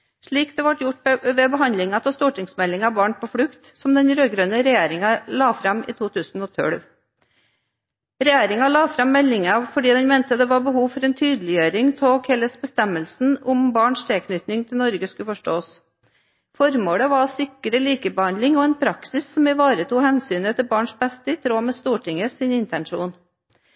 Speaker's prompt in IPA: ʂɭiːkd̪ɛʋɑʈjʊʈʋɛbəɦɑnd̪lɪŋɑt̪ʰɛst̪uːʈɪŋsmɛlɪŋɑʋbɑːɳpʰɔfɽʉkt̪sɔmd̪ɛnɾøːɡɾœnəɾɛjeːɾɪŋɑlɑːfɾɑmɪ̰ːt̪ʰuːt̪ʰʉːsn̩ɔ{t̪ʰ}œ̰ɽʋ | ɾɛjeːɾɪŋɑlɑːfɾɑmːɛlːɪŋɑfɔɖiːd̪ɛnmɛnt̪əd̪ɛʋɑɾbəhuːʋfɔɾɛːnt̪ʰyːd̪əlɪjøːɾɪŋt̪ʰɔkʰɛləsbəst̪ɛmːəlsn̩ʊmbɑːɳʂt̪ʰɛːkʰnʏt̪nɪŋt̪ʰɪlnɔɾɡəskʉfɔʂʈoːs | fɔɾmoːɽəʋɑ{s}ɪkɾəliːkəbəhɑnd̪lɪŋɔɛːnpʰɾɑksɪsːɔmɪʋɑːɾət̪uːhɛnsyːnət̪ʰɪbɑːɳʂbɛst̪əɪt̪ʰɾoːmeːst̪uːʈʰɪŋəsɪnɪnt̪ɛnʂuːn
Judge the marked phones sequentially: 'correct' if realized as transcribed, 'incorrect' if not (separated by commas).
correct, correct